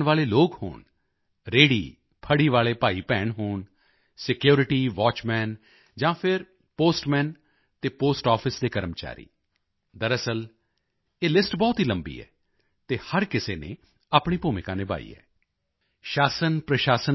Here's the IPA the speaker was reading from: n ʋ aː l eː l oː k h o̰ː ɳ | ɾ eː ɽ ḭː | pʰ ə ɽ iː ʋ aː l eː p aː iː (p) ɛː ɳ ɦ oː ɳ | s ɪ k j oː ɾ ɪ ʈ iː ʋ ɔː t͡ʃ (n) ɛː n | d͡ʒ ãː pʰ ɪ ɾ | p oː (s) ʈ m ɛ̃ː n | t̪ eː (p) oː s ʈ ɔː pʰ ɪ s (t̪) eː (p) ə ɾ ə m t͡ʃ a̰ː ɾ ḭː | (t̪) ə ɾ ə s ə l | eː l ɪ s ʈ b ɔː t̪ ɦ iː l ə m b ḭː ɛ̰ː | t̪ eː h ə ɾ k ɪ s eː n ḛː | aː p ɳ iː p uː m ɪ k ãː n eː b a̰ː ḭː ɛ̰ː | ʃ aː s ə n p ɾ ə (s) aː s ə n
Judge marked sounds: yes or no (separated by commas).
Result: yes, no, yes, yes, no, no, no, no